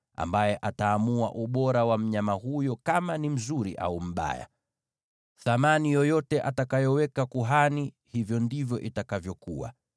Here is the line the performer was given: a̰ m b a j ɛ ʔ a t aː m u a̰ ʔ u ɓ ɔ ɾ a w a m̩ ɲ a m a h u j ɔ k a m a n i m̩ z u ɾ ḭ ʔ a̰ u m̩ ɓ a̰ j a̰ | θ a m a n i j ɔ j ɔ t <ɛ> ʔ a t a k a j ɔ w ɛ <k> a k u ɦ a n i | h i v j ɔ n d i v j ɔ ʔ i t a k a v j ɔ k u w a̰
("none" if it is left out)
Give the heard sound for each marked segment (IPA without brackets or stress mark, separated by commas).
ɛ, k